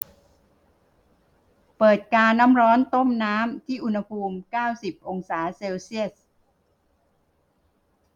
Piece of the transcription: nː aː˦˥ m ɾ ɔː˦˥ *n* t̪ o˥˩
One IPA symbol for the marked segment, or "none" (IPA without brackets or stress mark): n